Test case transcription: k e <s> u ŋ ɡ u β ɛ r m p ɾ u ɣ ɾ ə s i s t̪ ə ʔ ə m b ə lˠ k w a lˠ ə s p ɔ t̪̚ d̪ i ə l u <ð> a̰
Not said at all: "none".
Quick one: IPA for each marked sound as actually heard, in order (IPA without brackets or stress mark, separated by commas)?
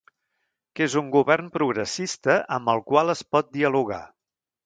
z, ɣ